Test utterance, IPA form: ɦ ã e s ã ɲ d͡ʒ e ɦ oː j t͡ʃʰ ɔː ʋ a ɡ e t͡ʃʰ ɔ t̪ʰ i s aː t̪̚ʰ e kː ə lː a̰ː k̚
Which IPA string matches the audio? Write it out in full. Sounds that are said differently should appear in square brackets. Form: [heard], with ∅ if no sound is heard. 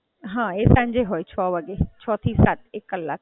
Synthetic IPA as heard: ɦ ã e s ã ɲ d͡ʒ e ɦ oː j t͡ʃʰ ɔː ʋ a ɡ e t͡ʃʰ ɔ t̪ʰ i s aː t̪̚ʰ e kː ə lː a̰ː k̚